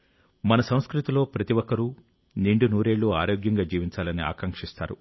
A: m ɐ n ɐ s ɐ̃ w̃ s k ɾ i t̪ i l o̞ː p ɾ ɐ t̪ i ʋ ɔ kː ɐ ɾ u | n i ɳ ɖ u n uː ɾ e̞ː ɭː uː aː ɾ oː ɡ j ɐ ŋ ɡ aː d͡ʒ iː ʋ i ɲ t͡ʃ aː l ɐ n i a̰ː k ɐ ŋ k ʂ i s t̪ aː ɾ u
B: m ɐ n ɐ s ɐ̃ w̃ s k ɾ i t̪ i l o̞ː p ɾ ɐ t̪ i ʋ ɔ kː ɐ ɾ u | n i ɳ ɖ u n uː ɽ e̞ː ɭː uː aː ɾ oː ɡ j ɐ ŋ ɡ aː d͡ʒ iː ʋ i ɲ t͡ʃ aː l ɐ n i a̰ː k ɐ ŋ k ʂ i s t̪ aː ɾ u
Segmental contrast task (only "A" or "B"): A